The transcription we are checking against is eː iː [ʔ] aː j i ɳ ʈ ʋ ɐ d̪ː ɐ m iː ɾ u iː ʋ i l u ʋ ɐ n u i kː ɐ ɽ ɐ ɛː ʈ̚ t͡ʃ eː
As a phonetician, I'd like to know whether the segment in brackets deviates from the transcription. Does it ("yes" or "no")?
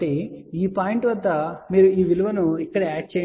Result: yes